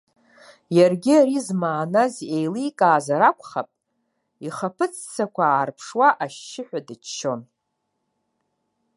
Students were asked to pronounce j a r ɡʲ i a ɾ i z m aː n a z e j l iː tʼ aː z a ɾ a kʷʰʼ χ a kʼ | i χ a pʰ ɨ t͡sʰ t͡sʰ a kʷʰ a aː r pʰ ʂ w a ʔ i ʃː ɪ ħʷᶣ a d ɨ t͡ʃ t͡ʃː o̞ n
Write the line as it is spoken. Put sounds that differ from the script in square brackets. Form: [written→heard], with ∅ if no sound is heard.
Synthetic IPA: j a r ɡʲ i a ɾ i z m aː n a z e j l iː [tʼ→kʼ] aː z a ɾ a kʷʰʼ χ a [kʼ→pʼ] | i χ a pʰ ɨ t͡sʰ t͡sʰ a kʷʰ a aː r pʰ ʂ w a ʔ [i→a] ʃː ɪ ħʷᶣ a d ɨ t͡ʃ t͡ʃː o̞ n